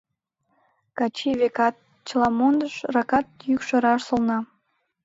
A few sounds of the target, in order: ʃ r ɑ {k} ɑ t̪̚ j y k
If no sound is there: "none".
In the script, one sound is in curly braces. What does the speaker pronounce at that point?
k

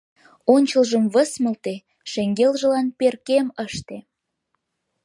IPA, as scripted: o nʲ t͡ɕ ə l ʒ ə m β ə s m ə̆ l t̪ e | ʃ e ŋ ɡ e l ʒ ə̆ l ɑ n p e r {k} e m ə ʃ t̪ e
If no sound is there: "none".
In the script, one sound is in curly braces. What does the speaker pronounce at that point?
k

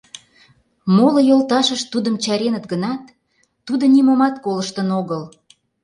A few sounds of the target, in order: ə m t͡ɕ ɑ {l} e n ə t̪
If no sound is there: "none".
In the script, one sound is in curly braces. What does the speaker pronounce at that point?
ɾ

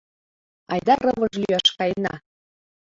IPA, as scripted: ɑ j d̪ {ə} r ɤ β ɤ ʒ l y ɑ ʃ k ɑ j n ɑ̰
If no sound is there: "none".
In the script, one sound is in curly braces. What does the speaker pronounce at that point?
ɑ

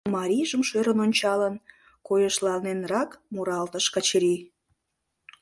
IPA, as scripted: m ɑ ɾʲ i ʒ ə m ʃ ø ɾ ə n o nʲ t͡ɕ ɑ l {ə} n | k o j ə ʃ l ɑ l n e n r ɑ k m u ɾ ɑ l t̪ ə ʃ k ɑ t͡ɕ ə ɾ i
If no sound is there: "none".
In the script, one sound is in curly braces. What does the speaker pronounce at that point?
ə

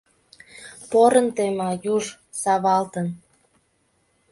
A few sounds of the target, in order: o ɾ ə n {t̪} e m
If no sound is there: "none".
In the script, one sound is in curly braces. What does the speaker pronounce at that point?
t̪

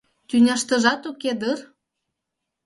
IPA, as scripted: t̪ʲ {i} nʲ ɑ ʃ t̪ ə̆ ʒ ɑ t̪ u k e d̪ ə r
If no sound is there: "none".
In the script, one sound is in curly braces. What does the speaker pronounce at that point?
y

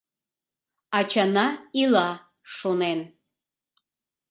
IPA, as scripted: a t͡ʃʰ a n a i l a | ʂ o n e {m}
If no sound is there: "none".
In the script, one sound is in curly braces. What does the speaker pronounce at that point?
n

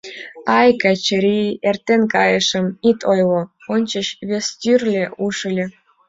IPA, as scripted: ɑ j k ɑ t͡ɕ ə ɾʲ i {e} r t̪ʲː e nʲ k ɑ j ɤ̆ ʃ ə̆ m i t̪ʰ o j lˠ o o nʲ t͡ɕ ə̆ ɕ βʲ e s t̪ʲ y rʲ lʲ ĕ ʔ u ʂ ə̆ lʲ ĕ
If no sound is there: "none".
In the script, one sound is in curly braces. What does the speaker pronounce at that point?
e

